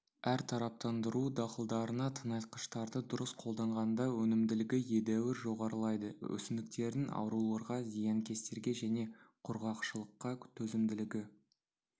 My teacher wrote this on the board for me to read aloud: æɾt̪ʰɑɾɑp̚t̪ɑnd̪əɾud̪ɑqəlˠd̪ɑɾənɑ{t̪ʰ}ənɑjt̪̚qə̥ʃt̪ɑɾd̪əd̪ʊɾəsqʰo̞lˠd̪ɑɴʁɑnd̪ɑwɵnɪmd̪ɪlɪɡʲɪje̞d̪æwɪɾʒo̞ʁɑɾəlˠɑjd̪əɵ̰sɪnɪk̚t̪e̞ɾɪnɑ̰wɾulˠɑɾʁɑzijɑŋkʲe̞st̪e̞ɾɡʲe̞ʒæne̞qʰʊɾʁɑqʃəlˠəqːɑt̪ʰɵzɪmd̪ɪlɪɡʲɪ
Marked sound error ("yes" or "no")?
no